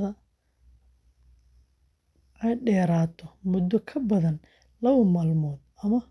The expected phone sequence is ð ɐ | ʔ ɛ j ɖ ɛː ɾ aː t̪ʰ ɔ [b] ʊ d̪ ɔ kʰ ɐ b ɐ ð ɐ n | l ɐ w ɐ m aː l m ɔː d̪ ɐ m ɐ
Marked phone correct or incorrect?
incorrect: m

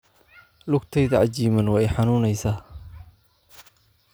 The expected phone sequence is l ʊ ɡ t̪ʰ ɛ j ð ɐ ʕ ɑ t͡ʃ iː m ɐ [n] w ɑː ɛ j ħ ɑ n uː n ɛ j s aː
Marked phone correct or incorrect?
correct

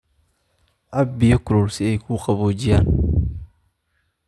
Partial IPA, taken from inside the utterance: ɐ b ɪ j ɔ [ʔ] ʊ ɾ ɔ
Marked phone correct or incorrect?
incorrect: k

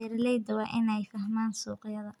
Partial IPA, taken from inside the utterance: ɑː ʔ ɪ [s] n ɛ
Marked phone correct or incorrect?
incorrect: none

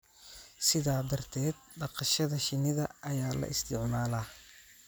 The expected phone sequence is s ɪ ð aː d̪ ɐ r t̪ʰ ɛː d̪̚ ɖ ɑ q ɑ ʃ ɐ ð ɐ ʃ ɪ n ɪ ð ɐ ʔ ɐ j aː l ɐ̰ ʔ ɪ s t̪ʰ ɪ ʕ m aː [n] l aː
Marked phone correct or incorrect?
incorrect: none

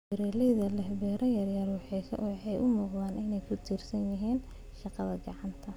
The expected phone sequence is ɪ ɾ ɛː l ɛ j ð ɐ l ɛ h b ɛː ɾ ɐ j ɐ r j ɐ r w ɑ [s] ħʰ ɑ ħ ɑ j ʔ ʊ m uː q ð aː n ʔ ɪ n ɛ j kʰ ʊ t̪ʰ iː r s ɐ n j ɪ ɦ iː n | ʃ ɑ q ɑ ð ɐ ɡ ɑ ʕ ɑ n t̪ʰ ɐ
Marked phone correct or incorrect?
incorrect: none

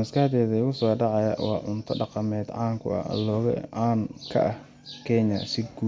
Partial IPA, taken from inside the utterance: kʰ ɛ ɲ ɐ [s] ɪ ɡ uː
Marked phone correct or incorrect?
correct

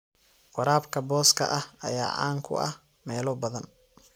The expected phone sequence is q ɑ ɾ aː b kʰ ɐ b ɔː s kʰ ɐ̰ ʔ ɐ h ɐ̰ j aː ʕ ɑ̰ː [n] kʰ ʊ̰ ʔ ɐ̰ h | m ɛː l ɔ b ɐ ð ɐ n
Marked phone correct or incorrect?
incorrect: ŋ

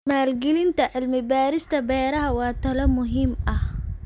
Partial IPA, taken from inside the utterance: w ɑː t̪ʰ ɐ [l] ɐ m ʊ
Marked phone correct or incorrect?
correct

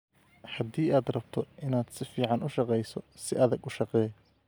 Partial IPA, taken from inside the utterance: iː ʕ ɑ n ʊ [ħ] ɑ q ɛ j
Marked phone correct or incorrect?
incorrect: ʃ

